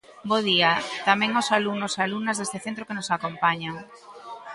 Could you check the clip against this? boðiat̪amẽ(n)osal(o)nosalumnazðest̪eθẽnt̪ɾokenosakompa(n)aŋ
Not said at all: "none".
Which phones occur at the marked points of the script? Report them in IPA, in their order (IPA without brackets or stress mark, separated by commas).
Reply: ŋ, u, ɲ